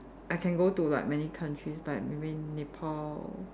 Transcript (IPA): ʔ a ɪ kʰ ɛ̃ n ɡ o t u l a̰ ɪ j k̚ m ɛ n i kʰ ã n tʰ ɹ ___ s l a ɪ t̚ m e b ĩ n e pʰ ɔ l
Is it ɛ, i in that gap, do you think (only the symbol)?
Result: i